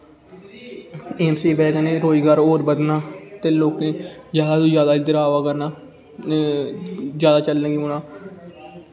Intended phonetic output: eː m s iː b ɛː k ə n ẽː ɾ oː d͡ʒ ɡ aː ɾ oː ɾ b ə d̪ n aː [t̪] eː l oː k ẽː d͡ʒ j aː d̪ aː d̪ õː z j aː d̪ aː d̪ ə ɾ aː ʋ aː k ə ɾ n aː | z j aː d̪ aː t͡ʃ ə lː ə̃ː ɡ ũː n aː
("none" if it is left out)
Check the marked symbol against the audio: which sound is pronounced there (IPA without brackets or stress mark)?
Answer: t̪